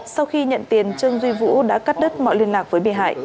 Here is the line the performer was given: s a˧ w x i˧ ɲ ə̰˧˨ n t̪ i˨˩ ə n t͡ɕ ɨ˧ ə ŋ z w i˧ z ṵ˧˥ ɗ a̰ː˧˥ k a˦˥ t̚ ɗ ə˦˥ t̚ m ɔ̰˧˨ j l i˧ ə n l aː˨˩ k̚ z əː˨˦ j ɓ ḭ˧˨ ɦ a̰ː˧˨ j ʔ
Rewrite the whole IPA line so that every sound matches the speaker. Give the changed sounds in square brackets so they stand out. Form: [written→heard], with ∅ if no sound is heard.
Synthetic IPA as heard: s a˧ w x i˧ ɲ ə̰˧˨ n t̪ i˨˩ ə n t͡ɕ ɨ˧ ə ŋ z w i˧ [z→v] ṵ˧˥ ɗ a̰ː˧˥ k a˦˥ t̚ ɗ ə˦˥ t̚ m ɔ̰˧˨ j l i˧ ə n l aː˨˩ k̚ [z→v] əː˨˦ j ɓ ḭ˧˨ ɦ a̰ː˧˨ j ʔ

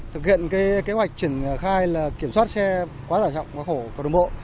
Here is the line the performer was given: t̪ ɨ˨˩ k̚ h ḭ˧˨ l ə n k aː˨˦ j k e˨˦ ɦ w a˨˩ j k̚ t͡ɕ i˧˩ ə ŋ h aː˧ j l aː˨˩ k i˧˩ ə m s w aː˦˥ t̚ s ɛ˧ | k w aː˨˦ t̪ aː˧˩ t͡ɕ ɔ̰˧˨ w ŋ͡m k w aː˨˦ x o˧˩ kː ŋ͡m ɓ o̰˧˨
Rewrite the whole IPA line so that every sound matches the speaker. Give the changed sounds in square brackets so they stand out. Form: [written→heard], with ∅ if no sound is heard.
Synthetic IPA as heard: t̪ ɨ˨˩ k̚ h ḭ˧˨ [l→∅] ə n k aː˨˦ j k e˨˦ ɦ w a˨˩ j k̚ t͡ɕ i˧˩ ə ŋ [h→x] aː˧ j l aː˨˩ k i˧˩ ə m s w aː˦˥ t̚ s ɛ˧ | k w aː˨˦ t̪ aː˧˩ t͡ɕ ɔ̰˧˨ w ŋ͡m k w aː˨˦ x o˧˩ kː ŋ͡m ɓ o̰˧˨

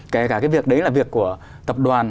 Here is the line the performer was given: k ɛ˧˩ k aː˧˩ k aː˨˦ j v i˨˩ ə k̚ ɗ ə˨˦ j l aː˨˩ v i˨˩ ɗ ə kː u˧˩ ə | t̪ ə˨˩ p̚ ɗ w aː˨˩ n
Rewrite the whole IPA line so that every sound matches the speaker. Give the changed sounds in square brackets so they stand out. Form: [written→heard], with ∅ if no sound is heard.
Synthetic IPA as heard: k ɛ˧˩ k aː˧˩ k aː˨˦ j v i˨˩ ə k̚ ɗ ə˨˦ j l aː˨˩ v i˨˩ [ɗ→∅] ə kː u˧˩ ə | t̪ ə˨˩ p̚ ɗ w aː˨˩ n

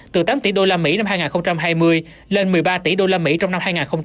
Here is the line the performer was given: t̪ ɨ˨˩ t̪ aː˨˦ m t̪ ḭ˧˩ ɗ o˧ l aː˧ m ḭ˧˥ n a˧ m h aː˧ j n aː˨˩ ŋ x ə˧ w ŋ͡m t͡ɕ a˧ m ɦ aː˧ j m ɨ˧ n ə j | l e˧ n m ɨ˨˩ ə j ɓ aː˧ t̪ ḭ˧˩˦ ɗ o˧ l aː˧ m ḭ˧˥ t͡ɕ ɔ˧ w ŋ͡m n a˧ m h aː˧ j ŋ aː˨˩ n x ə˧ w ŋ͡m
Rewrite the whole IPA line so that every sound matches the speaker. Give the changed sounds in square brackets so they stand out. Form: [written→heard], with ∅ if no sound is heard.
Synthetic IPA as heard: t̪ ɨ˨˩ t̪ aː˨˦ m t̪ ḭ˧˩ ɗ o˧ l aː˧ m ḭ˧˥ n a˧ m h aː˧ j [n→ŋ] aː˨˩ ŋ x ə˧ w ŋ͡m t͡ɕ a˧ m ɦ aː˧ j m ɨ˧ [n→∅] ə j | l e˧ n m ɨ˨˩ ə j ɓ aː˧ t̪ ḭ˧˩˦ ɗ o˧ l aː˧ m ḭ˧˥ t͡ɕ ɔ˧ w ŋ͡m n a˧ m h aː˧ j ŋ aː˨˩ n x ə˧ w ŋ͡m

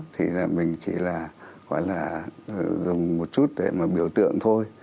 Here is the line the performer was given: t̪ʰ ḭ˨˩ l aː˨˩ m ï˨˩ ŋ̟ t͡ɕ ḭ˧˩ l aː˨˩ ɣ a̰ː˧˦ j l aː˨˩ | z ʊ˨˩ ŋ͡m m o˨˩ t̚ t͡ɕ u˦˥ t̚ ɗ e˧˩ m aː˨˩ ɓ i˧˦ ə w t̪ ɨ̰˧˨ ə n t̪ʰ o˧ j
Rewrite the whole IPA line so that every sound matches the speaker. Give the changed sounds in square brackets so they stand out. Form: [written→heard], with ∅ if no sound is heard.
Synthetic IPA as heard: t̪ʰ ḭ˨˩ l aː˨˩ m ï˨˩ ŋ̟ t͡ɕ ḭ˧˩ l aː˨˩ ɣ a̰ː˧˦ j l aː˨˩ | z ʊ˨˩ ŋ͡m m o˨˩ t̚ t͡ɕ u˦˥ t̚ ɗ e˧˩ m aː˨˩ ɓ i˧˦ ə w t̪ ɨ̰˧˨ ə [n→ŋ] t̪ʰ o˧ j

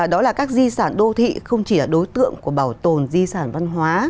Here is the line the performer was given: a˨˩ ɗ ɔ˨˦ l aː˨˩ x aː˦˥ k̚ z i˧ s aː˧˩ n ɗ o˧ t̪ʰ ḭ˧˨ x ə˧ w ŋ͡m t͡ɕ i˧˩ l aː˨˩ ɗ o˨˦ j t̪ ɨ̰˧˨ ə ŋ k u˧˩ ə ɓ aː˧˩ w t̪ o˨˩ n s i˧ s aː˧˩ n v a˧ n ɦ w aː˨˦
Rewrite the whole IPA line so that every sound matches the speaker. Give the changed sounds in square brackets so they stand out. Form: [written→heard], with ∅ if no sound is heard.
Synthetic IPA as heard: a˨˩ ɗ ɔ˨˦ l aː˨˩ [x→k] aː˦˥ k̚ z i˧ s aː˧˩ n ɗ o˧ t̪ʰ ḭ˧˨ x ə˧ w ŋ͡m t͡ɕ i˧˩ l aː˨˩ ɗ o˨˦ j t̪ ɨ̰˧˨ ə ŋ k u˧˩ ə ɓ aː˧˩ w t̪ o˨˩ n [s→z] i˧ s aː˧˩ n v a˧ n ɦ w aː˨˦

